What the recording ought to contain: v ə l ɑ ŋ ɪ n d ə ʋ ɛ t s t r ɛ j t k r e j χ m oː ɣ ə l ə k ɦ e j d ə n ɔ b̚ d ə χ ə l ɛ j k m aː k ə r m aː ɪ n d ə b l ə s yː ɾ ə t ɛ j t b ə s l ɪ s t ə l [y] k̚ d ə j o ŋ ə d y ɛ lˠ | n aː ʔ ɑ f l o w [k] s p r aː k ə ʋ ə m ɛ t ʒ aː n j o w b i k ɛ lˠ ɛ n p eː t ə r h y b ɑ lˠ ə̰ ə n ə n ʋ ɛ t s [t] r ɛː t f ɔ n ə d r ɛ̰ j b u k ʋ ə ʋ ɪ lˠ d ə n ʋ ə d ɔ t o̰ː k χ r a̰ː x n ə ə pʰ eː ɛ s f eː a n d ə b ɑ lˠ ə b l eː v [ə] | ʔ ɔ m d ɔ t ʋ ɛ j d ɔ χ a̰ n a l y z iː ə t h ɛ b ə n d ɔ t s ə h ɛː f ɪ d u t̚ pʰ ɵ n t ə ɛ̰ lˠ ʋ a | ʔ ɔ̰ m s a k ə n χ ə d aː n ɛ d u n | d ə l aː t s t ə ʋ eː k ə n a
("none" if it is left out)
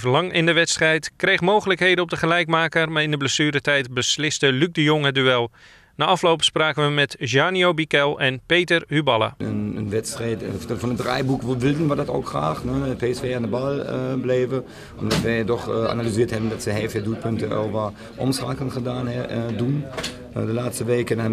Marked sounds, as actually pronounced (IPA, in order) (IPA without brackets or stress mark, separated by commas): y, p, t, ə